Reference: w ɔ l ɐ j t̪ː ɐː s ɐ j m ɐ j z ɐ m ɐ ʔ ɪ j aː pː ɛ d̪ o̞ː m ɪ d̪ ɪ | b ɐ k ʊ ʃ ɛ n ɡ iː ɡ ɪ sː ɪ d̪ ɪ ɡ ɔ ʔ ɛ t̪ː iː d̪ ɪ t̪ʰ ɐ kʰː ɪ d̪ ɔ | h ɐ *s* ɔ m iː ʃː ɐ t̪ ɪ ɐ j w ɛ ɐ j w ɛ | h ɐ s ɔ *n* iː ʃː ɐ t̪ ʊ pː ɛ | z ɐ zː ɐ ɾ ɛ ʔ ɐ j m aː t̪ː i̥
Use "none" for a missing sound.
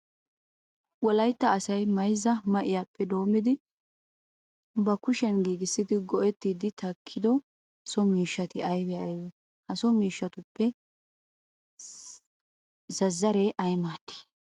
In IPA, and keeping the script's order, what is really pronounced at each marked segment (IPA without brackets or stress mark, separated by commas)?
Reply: s, m